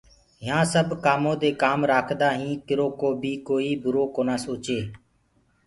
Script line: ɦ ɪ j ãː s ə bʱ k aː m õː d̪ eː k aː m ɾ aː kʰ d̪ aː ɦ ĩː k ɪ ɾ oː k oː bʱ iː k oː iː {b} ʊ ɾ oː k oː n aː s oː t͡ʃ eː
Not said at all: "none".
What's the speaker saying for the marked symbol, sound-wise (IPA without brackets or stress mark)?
b